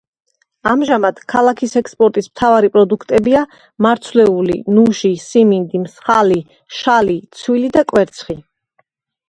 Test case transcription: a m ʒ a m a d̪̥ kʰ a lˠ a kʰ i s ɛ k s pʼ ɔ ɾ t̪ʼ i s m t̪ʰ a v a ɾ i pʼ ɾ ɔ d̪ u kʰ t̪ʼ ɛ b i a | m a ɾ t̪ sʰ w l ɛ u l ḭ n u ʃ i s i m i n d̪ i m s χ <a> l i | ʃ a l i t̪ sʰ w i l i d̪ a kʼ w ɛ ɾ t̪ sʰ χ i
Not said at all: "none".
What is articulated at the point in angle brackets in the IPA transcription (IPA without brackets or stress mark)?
a